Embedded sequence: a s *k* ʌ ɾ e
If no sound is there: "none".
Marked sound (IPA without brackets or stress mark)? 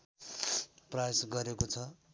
ɡ